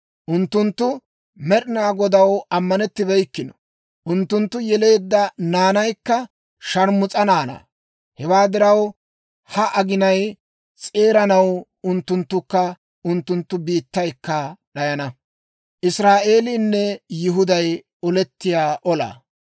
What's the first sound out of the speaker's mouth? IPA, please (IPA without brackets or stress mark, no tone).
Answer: ʔ